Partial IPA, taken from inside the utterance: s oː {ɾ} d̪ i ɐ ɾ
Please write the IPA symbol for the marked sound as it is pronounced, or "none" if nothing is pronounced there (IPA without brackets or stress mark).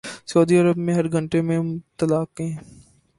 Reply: none